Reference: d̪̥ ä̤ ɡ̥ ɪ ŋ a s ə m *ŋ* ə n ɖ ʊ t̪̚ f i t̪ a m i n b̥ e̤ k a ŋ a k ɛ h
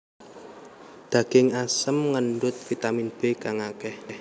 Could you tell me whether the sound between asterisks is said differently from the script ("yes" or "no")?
no